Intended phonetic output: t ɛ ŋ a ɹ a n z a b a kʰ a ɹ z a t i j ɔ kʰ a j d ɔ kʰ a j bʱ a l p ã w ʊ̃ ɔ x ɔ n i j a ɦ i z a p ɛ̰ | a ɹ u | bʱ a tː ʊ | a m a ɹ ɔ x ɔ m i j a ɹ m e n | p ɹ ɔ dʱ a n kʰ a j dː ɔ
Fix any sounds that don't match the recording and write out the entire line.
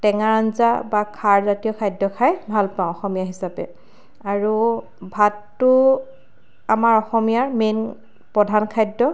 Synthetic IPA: t ɛ ŋ a ɹ a n z a b a kʰ a ɹ z a t i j ɔ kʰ a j d ɔ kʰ a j bʱ a l p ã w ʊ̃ ɔ x ɔ m i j a ɦ i s a p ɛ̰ | a ɹ u | bʱ a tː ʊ | a m a ɹ ɔ x ɔ m i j a ɹ m e n | p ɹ ɔ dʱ a n kʰ a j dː ɔ